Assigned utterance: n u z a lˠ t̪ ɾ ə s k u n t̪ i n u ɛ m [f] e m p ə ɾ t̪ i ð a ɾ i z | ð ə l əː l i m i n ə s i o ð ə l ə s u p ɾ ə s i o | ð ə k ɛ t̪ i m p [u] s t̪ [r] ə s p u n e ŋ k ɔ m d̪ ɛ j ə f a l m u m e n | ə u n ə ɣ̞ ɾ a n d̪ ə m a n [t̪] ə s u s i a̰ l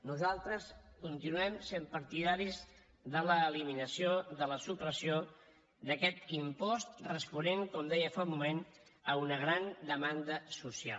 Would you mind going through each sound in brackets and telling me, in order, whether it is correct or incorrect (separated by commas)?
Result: incorrect, incorrect, correct, incorrect